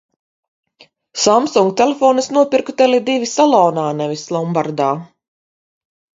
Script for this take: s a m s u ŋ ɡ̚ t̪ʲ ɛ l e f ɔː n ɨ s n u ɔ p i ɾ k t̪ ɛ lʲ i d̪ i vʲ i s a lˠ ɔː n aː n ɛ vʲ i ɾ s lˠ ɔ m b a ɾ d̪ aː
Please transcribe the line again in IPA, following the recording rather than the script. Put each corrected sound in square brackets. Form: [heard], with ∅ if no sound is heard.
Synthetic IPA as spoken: s a m s u ŋ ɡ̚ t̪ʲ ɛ l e f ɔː n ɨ s n u ɔ p i ɾ k t̪ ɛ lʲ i d̪ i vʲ i s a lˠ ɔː n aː n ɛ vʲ i [∅] s lˠ ɔ m b a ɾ d̪ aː